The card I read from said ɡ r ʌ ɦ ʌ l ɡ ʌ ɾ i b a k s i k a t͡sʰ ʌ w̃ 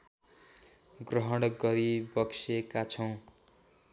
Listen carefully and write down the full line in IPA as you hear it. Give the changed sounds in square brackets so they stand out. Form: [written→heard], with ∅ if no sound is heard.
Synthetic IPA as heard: ɡ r ʌ ɦ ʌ [l→ɽ] ɡ ʌ ɾ i b [a→ʌ] k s [i→e] k a t͡sʰ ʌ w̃